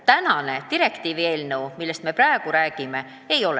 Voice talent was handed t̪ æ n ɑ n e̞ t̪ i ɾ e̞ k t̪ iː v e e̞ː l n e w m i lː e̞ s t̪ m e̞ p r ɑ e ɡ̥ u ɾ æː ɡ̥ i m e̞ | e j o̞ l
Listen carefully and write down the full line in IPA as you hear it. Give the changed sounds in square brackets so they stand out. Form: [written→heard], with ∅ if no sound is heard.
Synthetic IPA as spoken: t̪ æ n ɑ n e̞ t̪ i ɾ e̞ k t̪ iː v [e→i] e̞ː l n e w m i lː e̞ s t̪ m e̞ p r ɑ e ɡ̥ u ɾ æː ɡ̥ i m e̞ | e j o̞ l